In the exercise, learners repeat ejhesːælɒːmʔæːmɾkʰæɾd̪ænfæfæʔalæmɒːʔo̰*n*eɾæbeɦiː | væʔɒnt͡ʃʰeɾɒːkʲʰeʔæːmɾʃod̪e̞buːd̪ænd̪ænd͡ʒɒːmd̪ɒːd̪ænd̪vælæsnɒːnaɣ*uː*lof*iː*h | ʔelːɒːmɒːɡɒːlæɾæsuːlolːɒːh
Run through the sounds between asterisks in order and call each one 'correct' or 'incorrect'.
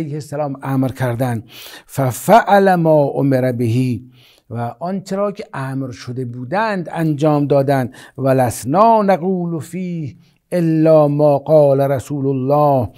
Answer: incorrect: m, correct, correct

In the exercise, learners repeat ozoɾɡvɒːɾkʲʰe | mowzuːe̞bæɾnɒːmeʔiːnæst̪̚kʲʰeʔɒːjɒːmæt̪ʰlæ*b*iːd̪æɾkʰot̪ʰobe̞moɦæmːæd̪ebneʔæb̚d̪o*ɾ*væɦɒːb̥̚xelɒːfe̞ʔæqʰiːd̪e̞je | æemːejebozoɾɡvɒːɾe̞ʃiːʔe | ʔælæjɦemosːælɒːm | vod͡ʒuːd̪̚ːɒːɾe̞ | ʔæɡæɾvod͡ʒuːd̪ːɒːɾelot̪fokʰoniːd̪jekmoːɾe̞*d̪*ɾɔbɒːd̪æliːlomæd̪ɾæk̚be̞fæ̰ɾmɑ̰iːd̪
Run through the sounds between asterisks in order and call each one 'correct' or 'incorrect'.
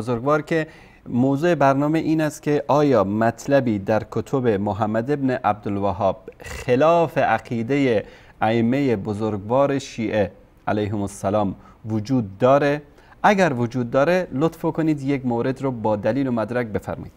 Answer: correct, incorrect: l, correct

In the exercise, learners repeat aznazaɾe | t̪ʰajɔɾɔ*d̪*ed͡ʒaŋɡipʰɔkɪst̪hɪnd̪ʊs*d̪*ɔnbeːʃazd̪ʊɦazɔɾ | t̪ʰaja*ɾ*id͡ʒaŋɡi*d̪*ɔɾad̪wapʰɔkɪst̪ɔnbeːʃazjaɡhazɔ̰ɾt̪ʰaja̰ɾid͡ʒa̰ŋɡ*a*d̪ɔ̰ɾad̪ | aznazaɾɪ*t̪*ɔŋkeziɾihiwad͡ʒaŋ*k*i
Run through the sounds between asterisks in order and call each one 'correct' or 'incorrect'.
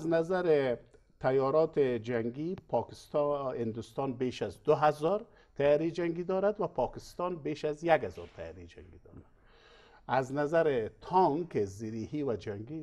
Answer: incorrect: t̪, incorrect: t̪, correct, correct, incorrect: i, incorrect: t̪ʰ, incorrect: ɡ

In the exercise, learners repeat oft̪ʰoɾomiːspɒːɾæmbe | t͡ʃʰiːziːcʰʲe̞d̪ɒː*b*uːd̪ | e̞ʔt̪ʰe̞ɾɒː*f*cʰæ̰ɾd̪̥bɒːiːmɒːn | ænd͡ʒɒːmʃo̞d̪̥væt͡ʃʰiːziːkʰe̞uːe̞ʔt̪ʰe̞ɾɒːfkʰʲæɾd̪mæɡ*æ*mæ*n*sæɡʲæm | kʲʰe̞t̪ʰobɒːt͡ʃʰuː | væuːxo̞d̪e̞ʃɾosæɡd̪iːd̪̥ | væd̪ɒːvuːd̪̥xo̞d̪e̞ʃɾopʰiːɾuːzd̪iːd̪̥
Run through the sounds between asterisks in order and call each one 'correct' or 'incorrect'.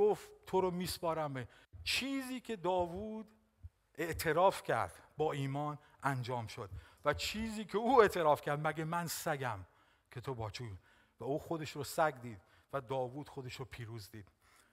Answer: incorrect: v, correct, incorrect: e, correct

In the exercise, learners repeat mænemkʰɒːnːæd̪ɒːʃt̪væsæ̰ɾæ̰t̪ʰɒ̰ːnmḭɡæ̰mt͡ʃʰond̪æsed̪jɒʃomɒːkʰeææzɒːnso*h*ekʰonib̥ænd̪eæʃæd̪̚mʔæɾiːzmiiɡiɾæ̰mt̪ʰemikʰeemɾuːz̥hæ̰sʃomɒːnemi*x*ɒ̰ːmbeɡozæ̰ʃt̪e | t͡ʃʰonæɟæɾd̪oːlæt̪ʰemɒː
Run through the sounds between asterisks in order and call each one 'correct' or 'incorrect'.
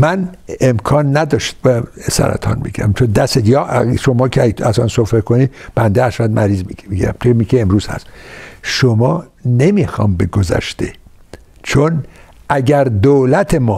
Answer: incorrect: f, correct

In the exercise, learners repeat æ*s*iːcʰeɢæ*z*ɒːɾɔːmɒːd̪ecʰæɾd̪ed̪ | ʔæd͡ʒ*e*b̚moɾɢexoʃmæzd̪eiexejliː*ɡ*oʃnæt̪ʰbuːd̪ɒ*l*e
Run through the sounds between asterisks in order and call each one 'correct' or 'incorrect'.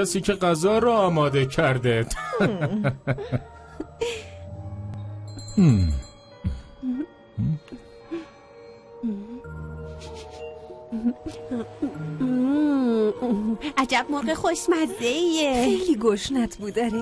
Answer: correct, correct, incorrect: æ, correct, incorrect: ɾ

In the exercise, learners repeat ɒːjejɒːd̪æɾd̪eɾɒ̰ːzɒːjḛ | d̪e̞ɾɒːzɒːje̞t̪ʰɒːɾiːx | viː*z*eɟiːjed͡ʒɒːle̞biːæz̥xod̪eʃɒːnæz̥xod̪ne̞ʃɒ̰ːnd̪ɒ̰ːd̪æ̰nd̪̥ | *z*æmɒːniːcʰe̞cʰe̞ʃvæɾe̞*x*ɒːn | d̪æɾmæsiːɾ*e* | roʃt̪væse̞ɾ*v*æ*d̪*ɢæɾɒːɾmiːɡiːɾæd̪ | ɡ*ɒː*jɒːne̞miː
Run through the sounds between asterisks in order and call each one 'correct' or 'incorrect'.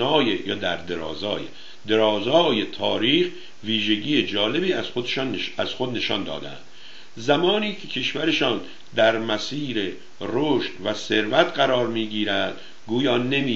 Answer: incorrect: ʒ, correct, incorrect: ʃ, correct, correct, incorrect: t̪, incorrect: uː

